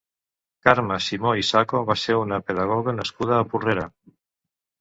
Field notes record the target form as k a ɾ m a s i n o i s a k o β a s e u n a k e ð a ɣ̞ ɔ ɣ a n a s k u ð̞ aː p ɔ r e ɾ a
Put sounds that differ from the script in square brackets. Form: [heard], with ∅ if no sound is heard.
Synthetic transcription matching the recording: k a ɾ m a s i [m] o i s a k o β a s e u n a [p] e ð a ɣ̞ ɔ ɣ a n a s k u ð̞ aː p [u] r e ɾ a